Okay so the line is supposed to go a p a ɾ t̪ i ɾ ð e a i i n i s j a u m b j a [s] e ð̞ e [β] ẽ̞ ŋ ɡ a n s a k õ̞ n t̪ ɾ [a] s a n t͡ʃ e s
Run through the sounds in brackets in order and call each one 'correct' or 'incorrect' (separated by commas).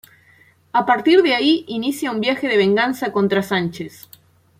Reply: incorrect, correct, correct